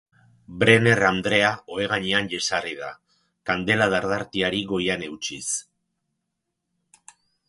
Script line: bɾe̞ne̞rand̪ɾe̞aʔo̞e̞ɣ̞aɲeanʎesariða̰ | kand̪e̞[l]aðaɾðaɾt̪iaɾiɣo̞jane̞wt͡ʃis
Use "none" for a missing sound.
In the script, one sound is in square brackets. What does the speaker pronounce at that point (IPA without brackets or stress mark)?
l